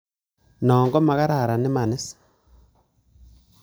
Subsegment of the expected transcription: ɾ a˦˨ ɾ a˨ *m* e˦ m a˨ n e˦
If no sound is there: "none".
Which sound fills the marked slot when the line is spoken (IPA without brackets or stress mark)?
n